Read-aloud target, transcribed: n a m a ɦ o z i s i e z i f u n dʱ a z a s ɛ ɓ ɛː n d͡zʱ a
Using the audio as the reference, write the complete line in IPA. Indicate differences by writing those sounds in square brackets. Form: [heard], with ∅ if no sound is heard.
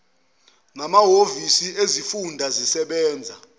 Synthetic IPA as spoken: n a m a ɦ o [v] i s i e z i f u n dʱ a z [i] s ɛ ɓ ɛː n d͡zʱ a